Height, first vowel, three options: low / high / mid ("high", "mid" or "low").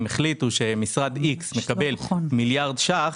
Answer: mid